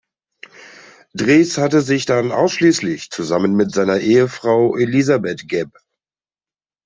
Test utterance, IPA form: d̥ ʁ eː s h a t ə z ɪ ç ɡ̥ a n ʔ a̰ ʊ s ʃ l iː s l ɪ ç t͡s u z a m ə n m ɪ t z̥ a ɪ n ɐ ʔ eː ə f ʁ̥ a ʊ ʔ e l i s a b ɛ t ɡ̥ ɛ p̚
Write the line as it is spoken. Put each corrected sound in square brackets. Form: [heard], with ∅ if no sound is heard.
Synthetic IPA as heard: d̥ ʁ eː s h a t ə z ɪ ç [d̥] a n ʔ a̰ ʊ s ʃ l iː s l ɪ ç t͡s u z a m ə n m ɪ t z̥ a ɪ n ɐ ʔ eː ə f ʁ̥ a ʊ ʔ e l i [z] a b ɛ t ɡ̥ ɛ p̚